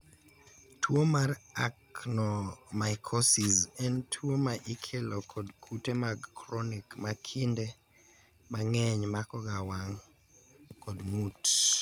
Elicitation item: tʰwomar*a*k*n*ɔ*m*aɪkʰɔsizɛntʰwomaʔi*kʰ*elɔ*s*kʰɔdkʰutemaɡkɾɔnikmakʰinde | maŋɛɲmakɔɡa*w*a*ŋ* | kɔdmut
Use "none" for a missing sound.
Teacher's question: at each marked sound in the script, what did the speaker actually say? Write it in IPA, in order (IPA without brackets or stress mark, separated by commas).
a, n, m, kʰ, none, w, ŋ